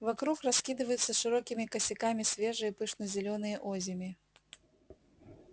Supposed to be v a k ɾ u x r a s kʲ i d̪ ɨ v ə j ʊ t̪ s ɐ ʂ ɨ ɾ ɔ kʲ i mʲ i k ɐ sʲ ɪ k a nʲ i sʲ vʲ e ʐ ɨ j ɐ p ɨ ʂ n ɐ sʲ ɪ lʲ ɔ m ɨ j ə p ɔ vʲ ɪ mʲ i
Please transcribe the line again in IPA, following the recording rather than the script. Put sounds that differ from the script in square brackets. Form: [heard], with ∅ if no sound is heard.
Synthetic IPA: v a k ɾ u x r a s kʲ i d̪ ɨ v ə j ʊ t̪ s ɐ ʂ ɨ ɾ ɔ kʲ i mʲ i k ɐ sʲ ɪ k a [mʲ] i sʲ vʲ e ʐ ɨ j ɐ p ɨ ʂ n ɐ [zʲ] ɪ lʲ ɔ [n] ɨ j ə [ʔ] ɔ [zʲ] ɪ mʲ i